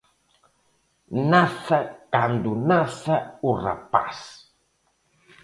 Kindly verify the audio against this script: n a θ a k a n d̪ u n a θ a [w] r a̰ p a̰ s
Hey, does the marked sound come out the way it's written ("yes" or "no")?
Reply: no